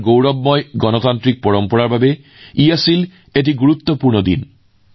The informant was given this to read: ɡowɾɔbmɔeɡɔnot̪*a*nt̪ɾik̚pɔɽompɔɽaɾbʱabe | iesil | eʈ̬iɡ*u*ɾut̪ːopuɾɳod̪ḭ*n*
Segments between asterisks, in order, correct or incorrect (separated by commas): correct, correct, correct